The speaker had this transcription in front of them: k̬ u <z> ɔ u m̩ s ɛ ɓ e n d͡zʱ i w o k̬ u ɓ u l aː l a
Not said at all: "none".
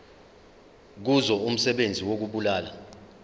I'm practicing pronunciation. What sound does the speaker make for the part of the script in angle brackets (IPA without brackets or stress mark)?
z